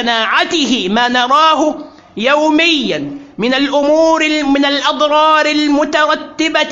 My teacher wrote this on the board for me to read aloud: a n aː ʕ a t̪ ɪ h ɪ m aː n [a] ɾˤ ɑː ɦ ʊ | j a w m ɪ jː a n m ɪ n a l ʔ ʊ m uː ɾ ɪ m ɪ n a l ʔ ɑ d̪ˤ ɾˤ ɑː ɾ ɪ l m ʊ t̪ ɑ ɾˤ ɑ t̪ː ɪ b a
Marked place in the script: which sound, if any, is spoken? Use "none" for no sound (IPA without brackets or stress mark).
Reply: ɑ